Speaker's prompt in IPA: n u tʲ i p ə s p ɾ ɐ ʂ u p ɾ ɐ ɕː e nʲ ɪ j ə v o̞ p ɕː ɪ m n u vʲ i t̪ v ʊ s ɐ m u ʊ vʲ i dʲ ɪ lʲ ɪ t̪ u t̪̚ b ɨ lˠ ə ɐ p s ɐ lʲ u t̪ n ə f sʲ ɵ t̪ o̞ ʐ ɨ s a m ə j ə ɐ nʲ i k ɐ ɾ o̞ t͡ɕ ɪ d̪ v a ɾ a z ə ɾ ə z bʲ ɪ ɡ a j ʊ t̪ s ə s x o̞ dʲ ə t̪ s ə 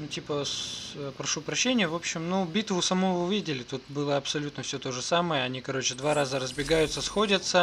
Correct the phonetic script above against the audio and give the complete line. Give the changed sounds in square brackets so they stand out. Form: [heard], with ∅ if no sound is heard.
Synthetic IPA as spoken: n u tʲ i p ə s p ɾ ɐ ʂ u p ɾ ɐ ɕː e nʲ ɪ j ə v o̞ p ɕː ɪ m n u [bʲ] i t̪ v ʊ s ɐ m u ʊ vʲ i dʲ ɪ lʲ ɪ t̪ u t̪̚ b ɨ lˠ ə ɐ p s ɐ lʲ u t̪ n ə f sʲ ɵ t̪ o̞ ʐ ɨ s a m ə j ə ɐ nʲ i k ɐ ɾ o̞ t͡ɕ ɪ d̪ v a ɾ a z ə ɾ ə z bʲ ɪ ɡ a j ʊ t̪ s ə s x o̞ dʲ ə t̪ s ə

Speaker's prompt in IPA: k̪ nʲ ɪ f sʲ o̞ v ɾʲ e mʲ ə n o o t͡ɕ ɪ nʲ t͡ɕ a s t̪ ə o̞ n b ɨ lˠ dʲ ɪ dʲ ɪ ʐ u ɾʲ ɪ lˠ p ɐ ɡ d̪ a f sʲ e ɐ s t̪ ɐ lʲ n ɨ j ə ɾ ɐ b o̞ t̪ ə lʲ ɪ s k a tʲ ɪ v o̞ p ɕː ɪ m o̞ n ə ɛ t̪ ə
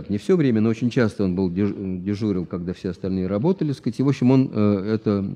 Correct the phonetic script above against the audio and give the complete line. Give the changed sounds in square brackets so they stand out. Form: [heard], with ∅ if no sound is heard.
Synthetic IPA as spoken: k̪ nʲ ɪ f sʲ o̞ v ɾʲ e mʲ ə n o o t͡ɕ ɪ nʲ t͡ɕ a s t̪ ə o̞ n b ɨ lˠ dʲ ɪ dʲ ɪ ʐ u ɾʲ ɪ lˠ [k] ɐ ɡ d̪ a f sʲ e ɐ s t̪ ɐ lʲ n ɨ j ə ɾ ɐ b o̞ t̪ ə lʲ ɪ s k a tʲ ɪ v o̞ p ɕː ɪ m o̞ n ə ɛ t̪ ə

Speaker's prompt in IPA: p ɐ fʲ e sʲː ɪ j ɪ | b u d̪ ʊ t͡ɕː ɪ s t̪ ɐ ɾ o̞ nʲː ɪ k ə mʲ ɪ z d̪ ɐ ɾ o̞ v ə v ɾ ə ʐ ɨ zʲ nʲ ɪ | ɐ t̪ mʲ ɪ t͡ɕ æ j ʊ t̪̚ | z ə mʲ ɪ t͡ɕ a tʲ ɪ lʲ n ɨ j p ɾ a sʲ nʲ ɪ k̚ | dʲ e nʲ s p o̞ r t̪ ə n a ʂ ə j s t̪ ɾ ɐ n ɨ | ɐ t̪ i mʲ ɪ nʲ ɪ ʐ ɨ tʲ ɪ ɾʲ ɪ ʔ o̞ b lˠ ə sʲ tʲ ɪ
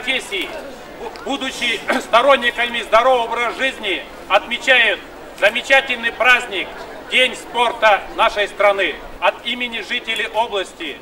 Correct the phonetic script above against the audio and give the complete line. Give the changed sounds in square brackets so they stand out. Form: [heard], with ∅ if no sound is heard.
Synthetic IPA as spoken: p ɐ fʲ e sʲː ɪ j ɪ | b u d̪ ʊ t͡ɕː ɪ s t̪ ɐ ɾ o̞ nʲː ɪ k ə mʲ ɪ z d̪ ɐ ɾ o̞ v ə v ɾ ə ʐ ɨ zʲ nʲ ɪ | ɐ t̪ mʲ ɪ t͡ɕ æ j ʊ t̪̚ | z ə mʲ ɪ t͡ɕ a tʲ ɪ lʲ n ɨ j p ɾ a [zʲ] nʲ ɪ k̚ | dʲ e nʲ s p o̞ r t̪ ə n a ʂ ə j s t̪ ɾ ɐ n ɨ | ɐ t̪ i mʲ ɪ nʲ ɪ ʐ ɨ tʲ ɪ [lʲ] ɪ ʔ o̞ b lˠ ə sʲ tʲ ɪ

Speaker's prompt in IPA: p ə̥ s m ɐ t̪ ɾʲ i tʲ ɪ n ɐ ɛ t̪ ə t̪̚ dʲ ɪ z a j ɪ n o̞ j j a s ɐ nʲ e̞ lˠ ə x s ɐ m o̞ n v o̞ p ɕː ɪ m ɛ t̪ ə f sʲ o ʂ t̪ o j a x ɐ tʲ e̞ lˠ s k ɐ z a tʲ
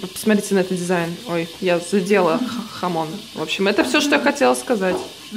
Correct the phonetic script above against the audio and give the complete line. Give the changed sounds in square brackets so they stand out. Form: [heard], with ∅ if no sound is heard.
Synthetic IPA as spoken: p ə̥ s m ɐ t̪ ɾʲ i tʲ ɪ n ɐ ɛ t̪ ə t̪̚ dʲ ɪ z a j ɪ n o̞ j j a [z] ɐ [dʲ] e̞ lˠ ə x [x] ɐ m o̞ n v o̞ p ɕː ɪ m ɛ t̪ ə f sʲ o ʂ t̪ o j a x ɐ tʲ e̞ lˠ s k ɐ z a tʲ

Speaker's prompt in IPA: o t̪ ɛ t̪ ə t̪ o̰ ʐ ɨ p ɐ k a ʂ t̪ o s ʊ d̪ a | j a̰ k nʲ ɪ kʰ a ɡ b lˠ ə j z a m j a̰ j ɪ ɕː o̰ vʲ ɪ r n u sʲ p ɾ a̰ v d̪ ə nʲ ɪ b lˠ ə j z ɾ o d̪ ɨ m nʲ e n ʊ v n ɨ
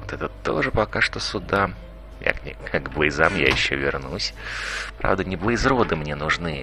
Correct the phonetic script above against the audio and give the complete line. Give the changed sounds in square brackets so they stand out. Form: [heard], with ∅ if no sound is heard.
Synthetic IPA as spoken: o t̪ ɛ t̪ ə t̪ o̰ ʐ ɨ p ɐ k a ʂ t̪ o s ʊ d̪ a | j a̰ k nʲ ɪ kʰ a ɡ b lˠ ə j z a m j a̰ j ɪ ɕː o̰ vʲ ɪ r n u sʲ p ɾ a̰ v d̪ ə nʲ ɪ b lˠ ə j z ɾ o d̪ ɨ m nʲ e n ʊ [ʐ] n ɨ

